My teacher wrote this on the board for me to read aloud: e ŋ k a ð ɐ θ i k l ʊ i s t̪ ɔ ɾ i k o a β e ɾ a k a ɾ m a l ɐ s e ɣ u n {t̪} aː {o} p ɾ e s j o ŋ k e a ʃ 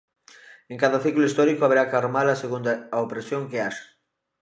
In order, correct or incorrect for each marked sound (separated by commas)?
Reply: incorrect, correct